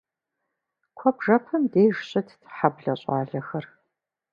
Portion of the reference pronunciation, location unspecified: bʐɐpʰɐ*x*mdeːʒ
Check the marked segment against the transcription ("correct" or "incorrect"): incorrect